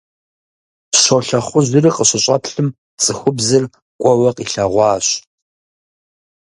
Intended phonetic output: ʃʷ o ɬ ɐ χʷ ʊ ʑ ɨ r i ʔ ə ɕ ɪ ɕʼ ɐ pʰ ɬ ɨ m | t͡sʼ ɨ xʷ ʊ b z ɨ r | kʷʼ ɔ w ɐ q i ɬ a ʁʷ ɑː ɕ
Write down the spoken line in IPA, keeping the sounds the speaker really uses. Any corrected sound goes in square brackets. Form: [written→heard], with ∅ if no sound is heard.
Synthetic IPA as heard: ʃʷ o ɬ ɐ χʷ ʊ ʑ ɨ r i [ʔ→q] ə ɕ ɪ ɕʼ ɐ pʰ ɬ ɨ m | t͡sʼ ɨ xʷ ʊ b z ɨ r | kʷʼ ɔ w ɐ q i ɬ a ʁʷ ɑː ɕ